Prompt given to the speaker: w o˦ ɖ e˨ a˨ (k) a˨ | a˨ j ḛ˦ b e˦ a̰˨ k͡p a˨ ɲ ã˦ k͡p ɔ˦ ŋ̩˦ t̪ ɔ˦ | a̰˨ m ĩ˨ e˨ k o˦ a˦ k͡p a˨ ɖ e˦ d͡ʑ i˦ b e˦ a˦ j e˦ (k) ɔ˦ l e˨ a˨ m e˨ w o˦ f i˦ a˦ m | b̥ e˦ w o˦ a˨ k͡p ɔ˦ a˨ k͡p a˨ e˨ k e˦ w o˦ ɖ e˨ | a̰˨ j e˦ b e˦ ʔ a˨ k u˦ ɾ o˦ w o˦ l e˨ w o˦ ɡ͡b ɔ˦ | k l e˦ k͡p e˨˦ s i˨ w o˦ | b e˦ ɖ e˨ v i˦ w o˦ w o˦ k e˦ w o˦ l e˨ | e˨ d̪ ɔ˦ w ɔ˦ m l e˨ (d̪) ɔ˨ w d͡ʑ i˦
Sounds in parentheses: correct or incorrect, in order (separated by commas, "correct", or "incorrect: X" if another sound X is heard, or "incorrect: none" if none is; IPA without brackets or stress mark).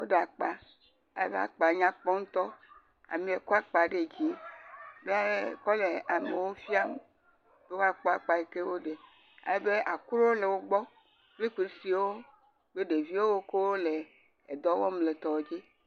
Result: incorrect: k͡p, correct, incorrect: t̪